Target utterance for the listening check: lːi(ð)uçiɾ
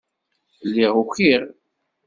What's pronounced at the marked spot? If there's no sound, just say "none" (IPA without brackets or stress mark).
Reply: ʁ